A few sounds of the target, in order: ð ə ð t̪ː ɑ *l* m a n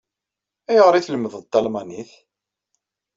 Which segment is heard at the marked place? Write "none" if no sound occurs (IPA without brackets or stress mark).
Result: l